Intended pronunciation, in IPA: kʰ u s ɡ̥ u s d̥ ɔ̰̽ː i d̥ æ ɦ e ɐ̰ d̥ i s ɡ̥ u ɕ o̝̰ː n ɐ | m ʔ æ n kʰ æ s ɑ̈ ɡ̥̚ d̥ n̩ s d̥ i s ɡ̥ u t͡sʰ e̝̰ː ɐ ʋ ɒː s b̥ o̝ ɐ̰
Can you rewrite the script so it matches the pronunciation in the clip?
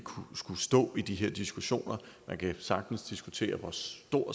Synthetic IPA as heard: kʰ u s ɡ̥ u s d̥ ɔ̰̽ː i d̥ i ɦ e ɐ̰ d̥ i s ɡ̥ u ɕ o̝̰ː n ɐ | m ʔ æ n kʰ æ s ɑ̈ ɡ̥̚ d̥ n̩ s d̥ i s ɡ̥ u t͡sʰ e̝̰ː ɐ ʋ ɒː s d̥ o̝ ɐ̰